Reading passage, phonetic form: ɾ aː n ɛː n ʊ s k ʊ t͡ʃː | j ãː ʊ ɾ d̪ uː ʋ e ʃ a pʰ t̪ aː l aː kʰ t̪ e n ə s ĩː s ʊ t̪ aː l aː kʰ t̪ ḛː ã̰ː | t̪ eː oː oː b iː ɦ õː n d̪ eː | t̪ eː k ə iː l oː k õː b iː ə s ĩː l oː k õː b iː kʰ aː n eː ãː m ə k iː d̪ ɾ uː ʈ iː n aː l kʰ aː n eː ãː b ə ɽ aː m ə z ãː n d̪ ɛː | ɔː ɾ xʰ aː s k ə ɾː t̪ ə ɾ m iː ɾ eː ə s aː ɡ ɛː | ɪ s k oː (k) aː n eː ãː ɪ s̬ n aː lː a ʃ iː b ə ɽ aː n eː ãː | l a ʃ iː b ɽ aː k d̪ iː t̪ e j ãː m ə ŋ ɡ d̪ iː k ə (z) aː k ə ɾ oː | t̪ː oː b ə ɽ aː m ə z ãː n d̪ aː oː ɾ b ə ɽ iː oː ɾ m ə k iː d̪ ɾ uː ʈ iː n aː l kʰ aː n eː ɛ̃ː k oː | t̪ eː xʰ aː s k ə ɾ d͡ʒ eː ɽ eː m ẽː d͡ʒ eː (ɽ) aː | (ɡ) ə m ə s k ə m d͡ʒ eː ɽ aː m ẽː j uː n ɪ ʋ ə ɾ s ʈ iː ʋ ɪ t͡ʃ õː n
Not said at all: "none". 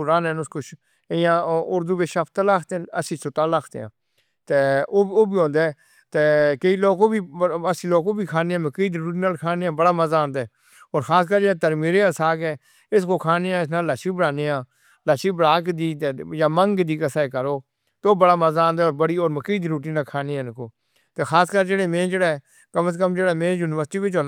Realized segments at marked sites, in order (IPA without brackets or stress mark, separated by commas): kʰ, s, ɽ, k